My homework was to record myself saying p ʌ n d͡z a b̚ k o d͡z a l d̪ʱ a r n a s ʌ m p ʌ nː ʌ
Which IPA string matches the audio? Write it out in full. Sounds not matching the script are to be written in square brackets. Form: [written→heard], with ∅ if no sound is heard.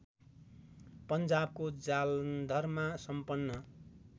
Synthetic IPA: p ʌ n d͡z a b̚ k o d͡z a l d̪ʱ [a→ʌ] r [n→m] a s ʌ m p ʌ nː ʌ

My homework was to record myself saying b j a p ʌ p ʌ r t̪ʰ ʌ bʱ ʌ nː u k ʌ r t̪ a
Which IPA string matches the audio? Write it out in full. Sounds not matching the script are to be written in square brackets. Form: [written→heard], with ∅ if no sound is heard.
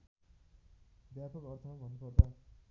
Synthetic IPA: b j a p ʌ [p→k] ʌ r t̪ʰ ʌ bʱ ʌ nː u [k→p] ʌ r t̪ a

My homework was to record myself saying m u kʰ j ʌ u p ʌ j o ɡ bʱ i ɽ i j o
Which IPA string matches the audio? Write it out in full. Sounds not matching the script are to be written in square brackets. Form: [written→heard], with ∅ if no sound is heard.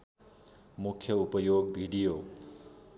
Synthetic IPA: m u kʰ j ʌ u p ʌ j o ɡ bʱ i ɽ i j o

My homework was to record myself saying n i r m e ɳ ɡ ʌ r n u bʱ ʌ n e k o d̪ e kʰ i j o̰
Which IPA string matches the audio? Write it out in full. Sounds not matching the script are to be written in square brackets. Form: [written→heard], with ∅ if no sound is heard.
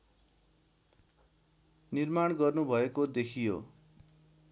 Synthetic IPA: n i r m [e→a] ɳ ɡ ʌ r n u bʱ ʌ [n→∅] e k o d̪ e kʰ i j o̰

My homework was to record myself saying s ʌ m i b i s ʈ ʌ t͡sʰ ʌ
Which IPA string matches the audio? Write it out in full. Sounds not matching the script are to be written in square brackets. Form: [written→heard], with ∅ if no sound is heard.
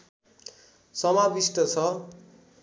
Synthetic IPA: s ʌ m [i→a] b i s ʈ ʌ t͡sʰ ʌ

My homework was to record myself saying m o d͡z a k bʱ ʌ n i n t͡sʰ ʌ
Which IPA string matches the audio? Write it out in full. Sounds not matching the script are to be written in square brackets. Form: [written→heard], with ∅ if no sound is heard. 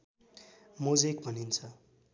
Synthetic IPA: m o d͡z [a→e] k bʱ ʌ n i n t͡sʰ ʌ

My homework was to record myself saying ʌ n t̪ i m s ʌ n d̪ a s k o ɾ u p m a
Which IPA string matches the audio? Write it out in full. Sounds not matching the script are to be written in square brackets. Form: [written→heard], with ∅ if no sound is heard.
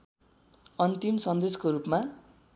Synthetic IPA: ʌ n t̪ i m s ʌ n d̪ [a→e] s k o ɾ u p m a

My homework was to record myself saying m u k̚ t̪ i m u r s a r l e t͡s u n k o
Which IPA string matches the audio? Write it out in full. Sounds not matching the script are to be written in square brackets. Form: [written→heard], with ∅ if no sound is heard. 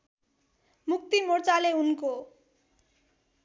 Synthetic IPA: m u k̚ t̪ i m [u→o] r [s→t͡s] a [r→∅] l e [t͡s→∅] u n k o

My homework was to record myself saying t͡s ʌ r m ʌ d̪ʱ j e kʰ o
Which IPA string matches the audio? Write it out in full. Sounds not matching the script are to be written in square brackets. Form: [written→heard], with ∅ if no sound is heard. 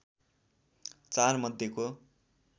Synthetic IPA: t͡s [ʌ→a] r m ʌ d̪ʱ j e [kʰ→k] o

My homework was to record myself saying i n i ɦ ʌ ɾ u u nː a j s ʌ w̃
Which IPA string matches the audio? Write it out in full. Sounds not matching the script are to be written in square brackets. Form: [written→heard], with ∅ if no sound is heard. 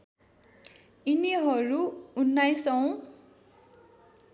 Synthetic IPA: i n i ɦ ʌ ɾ u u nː a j s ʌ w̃

